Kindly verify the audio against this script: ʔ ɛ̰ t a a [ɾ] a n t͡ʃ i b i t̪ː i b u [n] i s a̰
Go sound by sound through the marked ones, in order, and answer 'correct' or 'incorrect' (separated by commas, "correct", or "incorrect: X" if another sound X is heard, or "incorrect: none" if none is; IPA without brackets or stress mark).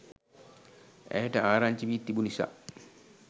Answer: correct, correct